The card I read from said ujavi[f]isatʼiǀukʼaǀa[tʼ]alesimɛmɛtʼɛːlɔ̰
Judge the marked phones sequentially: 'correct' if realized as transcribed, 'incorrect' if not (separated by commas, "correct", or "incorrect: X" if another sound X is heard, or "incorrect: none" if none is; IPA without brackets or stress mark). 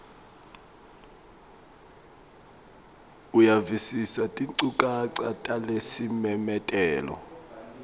incorrect: s, correct